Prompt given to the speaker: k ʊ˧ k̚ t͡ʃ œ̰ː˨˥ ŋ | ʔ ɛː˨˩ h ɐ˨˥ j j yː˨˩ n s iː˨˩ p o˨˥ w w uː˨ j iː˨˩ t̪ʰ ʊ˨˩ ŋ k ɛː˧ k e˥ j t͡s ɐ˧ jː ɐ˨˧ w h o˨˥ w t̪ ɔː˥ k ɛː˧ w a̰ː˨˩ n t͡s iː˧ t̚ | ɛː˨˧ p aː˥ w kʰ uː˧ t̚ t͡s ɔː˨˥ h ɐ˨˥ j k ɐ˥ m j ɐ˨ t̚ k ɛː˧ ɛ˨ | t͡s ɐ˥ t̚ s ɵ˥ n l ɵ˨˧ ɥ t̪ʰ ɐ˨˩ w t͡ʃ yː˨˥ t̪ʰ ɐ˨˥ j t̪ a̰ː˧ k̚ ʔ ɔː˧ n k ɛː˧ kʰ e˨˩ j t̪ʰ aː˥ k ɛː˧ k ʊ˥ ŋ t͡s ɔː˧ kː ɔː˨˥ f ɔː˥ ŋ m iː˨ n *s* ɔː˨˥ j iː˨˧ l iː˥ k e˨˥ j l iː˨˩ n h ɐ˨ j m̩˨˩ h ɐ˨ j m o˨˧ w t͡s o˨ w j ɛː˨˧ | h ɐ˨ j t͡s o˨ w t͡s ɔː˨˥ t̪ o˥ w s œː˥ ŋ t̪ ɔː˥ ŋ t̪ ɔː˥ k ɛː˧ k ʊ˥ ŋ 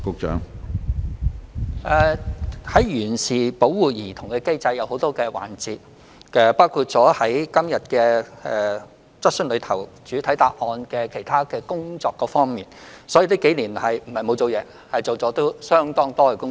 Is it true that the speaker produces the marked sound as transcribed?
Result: yes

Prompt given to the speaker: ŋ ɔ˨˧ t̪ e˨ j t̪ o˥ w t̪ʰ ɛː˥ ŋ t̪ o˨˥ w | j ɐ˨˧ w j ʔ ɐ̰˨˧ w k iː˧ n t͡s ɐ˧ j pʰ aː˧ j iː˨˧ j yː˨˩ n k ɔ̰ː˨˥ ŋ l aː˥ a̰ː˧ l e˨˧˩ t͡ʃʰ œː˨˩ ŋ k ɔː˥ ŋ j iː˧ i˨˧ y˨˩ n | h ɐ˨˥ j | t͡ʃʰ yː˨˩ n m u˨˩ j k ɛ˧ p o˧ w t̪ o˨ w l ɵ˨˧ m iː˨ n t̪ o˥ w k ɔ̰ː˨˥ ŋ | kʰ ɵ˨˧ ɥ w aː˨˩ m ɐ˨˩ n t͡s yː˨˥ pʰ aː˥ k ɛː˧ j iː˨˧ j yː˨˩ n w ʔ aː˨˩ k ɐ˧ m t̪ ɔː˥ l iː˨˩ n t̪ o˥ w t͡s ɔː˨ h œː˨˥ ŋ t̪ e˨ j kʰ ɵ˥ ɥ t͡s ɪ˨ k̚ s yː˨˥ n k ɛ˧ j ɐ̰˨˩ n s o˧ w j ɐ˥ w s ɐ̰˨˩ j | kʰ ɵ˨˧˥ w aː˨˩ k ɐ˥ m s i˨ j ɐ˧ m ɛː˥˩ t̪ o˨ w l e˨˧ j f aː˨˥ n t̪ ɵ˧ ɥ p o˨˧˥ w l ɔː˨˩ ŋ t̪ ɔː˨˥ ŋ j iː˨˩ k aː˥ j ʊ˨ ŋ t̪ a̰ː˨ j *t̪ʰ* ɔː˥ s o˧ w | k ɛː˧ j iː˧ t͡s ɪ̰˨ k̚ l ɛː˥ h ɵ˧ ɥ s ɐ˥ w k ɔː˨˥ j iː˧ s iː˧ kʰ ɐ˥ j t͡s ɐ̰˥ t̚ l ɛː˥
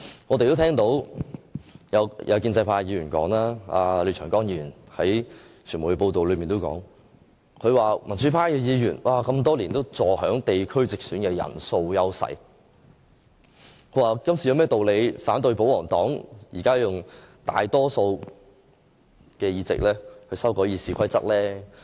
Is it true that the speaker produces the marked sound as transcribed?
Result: no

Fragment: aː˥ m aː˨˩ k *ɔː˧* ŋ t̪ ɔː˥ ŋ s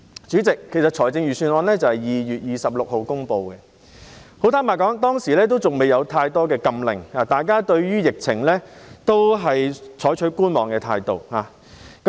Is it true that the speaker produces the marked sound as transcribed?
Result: no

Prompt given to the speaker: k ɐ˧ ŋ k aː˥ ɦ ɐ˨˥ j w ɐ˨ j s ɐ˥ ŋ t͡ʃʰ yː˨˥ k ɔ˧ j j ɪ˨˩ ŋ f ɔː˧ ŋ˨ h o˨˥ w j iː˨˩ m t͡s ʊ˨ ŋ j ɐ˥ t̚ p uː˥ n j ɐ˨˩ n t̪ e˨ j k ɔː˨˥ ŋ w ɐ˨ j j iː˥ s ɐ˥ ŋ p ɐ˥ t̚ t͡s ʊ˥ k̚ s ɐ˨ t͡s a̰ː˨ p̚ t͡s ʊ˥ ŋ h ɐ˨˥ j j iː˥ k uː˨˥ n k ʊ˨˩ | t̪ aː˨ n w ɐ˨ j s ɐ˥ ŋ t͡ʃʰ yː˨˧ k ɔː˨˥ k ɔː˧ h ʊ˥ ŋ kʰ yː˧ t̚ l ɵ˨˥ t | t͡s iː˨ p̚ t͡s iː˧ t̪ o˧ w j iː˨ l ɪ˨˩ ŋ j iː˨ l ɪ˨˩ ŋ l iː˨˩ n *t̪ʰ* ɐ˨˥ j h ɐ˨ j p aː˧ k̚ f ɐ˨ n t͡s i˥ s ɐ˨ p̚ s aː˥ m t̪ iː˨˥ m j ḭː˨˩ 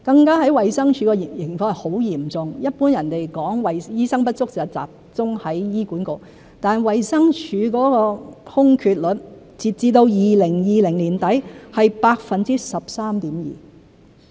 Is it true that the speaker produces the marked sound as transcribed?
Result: no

